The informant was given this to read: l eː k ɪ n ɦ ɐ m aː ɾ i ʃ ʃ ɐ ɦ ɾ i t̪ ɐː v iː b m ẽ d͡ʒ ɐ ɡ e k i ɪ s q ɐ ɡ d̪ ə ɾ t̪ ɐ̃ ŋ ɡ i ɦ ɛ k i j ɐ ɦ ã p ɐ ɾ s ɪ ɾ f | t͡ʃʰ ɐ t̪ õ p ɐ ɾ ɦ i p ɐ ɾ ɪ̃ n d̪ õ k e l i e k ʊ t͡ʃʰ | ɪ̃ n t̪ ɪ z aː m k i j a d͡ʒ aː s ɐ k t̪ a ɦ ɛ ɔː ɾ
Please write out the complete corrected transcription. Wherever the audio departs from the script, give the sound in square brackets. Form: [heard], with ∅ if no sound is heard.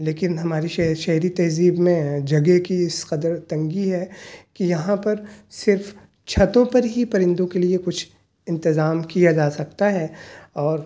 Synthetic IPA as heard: l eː k ɪ n ɦ ɐ m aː ɾ i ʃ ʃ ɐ ɦ ɾ i t̪ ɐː [z] iː b m ẽ d͡ʒ ɐ ɡ e k i ɪ s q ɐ [∅] d̪ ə ɾ t̪ ɐ̃ ŋ ɡ i ɦ ɛ k i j ɐ ɦ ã p ɐ ɾ s ɪ ɾ f | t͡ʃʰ ɐ t̪ õ p ɐ ɾ ɦ i p ɐ ɾ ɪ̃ n d̪ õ k e l i e k ʊ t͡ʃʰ | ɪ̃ n t̪ ɪ z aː m k i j a d͡ʒ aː s ɐ k t̪ a ɦ ɛ ɔː ɾ

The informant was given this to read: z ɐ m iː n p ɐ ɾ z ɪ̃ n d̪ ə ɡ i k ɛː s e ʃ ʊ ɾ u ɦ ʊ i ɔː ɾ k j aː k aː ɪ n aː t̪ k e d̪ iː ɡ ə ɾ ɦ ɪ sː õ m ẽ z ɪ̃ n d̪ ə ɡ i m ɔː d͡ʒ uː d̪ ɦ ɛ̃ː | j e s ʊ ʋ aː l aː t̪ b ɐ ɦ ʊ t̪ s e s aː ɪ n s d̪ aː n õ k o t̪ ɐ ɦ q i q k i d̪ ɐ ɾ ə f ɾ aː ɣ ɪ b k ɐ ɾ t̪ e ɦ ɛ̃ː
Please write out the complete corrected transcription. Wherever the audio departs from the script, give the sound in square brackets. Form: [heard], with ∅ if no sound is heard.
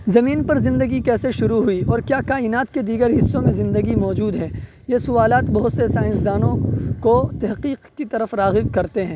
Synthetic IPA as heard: z ɐ m iː n p ɐ ɾ z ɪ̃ n d̪ ə ɡ i k ɛː s e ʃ ʊ ɾ u ɦ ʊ i ɔː ɾ k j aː k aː ɪ n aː t̪ k e d̪ iː ɡ ə ɾ ɦ ɪ sː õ m ẽ z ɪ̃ n d̪ ə ɡ i m ɔː d͡ʒ uː d̪ ɦ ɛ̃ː | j e s ʊ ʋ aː l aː t̪ b ɐ ɦ ʊ t̪ s e s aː ɪ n s d̪ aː n õ k o t̪ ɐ ɦ q [iː] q k i [t̪] ɐ ɾ ə f ɾ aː ɣ ɪ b k ɐ ɾ t̪ e ɦ ɛ̃ː

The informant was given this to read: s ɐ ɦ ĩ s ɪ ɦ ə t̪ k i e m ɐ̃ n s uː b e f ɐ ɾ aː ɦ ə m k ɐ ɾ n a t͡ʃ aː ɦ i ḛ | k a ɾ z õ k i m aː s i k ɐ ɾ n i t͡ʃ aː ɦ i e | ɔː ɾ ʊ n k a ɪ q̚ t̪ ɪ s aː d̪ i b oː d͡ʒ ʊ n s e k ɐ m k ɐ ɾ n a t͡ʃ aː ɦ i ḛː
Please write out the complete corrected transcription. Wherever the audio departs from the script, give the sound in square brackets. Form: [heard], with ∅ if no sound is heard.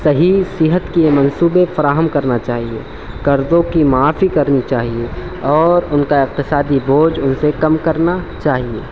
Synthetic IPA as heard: s ɐ ɦ [i] s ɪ ɦ ə t̪ k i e m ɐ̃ n s uː b e f ɐ ɾ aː ɦ ə m k ɐ ɾ n a t͡ʃ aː ɦ i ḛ | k [ɐ] ɾ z õ k i m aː [f] i k ɐ ɾ n i t͡ʃ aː ɦ i e | ɔː ɾ ʊ n k a ɪ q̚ t̪ ɪ s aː d̪ i b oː d͡ʒ ʊ n s e k ɐ m k ɐ ɾ n a t͡ʃ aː ɦ i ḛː

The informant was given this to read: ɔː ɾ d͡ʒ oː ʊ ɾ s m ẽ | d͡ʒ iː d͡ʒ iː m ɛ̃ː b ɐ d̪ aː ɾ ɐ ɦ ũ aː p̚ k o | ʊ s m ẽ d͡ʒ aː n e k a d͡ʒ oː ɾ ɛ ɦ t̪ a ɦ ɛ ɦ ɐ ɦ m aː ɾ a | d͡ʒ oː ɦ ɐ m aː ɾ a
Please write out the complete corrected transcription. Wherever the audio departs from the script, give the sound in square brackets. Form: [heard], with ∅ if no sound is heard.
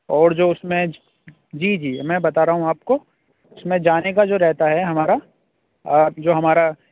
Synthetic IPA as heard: ɔː ɾ d͡ʒ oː ʊ [∅] s m ẽ | d͡ʒ iː d͡ʒ iː m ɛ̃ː b ɐ [t̪] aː ɾ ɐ ɦ ũ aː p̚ k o | ʊ s m ẽ d͡ʒ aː n e k a d͡ʒ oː ɾ ɛ ɦ t̪ a ɦ ɛ ɦ ɐ [∅] m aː ɾ a | d͡ʒ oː ɦ ɐ m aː ɾ a

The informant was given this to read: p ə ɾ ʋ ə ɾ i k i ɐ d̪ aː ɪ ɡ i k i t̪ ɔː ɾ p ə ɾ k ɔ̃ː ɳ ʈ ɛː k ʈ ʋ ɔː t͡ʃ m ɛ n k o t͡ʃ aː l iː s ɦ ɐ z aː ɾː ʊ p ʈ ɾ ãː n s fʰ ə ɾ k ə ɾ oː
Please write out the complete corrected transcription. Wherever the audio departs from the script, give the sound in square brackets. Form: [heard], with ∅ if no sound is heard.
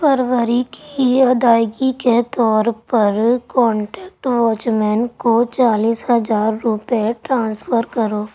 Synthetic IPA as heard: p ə ɾ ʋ ə ɾ i k i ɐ d̪ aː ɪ ɡ i k [e] t̪ ɔː ɾ p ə ɾ k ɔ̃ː ɳ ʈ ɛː k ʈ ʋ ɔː t͡ʃ m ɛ n k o t͡ʃ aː l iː s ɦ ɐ z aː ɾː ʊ p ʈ ɾ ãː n s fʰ ə ɾ k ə ɾ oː

